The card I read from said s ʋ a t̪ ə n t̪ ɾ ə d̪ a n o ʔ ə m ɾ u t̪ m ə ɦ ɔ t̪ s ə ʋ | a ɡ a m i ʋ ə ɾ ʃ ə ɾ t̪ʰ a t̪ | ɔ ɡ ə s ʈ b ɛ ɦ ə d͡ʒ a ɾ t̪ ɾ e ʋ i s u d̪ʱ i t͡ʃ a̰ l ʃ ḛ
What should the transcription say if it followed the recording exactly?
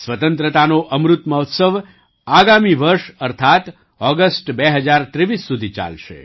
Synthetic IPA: s ʋ ə t̪ ə n t̪ ɾ ə t̪ a n o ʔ ə m ɾ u t̪ m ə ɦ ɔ t̪ s ə ʋ | a ɡ a m i ʋ ə ɾ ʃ ə ɾ t̪ʰ a t̪ | ɔ ɡ ə s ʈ b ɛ ɦ ə d͡ʒ a ɾ t̪ ɾ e ʋ i sː u d̪ʱ i t͡ʃ a̰ l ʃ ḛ